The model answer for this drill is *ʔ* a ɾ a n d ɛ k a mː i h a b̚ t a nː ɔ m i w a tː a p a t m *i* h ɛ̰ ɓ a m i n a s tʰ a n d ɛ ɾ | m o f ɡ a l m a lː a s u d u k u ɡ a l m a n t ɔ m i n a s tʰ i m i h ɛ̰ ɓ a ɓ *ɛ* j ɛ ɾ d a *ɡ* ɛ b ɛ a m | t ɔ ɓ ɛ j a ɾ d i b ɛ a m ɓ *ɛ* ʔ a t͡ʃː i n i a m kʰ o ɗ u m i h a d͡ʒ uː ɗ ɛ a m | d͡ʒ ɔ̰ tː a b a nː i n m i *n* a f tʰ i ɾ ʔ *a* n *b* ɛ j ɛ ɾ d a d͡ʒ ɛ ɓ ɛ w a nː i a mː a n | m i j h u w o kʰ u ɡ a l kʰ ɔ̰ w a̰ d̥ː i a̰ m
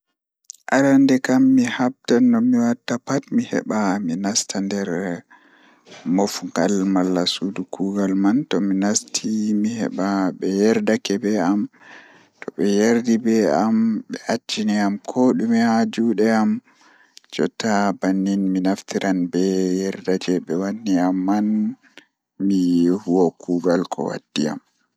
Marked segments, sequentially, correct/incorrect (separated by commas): correct, correct, correct, incorrect, correct, correct, correct, correct